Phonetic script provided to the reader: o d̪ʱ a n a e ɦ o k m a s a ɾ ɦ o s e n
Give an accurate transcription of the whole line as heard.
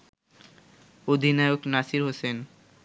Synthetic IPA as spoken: o d̪ʱ i n a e o k n a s i ɾ ɦ o s e n